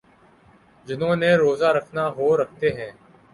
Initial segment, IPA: d͡ʒ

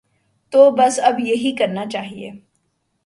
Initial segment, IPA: t̪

